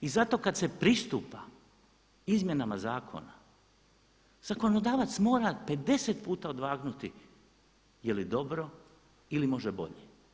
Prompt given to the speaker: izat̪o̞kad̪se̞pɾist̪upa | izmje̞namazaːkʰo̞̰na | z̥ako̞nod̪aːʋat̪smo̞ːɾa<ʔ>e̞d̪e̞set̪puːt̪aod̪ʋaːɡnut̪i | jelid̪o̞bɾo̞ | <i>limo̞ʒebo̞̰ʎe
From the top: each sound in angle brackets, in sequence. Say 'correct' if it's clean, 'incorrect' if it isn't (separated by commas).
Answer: incorrect, correct